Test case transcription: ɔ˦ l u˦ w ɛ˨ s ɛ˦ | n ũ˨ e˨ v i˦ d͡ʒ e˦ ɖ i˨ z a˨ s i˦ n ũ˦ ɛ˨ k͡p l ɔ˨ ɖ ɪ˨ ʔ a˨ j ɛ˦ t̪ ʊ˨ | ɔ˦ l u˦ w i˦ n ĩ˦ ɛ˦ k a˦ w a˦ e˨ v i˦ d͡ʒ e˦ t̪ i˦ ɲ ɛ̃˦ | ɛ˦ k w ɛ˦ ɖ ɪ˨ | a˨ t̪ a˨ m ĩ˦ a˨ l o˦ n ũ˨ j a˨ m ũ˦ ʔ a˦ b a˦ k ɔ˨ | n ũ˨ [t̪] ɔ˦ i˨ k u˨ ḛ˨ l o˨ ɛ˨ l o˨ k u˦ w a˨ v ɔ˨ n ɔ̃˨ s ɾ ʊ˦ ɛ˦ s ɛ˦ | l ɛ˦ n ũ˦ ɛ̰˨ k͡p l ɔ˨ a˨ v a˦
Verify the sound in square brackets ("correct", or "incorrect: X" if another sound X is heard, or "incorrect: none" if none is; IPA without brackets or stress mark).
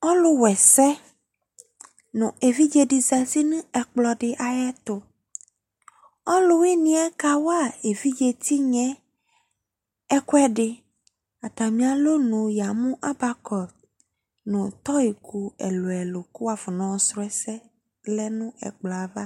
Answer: correct